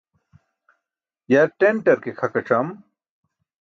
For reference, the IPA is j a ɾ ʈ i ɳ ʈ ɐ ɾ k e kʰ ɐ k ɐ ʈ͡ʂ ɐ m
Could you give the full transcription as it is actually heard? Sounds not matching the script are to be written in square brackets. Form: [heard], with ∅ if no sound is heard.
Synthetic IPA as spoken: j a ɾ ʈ [e] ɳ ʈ ɐ ɾ k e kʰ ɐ k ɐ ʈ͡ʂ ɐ m